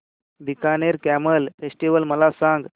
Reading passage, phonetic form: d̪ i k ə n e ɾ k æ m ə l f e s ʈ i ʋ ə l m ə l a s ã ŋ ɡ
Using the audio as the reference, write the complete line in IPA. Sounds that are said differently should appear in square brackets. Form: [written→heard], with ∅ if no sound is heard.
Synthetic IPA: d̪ i k [ə→a] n e ɾ k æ m ə l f e s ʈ i ʋ ə l m ə l a s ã ŋ ɡ